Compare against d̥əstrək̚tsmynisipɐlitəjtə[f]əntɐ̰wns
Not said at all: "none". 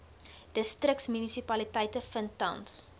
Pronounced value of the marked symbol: f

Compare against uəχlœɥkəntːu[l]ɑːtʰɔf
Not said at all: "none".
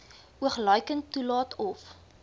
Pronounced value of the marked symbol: l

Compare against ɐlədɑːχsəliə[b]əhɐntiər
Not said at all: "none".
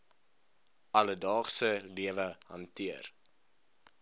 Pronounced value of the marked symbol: v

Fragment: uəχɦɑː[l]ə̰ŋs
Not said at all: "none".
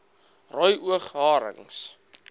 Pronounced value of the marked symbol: ɾ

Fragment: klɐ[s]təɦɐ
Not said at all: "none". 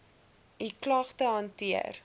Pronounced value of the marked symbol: χ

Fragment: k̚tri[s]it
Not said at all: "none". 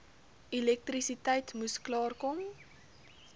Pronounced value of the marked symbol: s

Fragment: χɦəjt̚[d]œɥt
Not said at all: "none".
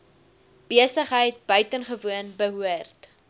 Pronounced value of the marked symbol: b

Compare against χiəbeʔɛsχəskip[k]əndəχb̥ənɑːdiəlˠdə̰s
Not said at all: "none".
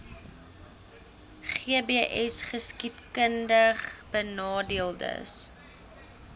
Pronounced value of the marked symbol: k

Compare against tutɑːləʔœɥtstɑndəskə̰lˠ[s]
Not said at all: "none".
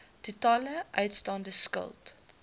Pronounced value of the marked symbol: t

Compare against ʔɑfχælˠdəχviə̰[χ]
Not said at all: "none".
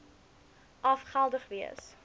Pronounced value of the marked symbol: s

